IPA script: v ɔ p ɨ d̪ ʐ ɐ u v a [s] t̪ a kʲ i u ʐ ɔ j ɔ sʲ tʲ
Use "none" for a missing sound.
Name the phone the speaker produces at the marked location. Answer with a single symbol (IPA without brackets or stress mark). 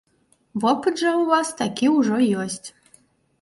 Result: s